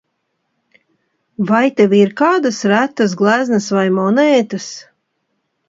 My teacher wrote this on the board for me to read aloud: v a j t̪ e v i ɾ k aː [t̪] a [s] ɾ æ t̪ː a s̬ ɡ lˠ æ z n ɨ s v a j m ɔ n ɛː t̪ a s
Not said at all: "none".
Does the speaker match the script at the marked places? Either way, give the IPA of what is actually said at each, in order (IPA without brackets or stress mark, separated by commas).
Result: d̪, s